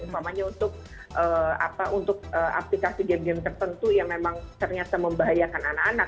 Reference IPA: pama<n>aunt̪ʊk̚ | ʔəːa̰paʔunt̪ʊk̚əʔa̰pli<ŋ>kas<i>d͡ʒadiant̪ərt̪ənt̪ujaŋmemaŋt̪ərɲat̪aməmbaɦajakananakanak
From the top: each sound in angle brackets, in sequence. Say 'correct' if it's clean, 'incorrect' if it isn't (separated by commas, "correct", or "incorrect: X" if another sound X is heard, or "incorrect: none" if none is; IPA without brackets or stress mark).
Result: incorrect: ɲ, incorrect: none, correct